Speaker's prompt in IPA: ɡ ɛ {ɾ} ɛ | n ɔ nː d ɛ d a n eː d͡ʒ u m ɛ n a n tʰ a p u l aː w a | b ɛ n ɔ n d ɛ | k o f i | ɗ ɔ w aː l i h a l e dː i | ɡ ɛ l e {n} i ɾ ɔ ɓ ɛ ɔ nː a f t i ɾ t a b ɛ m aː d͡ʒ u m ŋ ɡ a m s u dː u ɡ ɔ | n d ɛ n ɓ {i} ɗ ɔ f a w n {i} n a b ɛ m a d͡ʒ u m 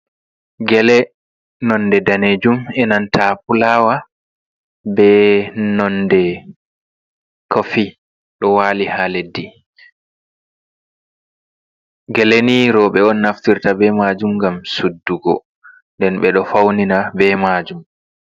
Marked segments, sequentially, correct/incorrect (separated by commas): incorrect, correct, incorrect, correct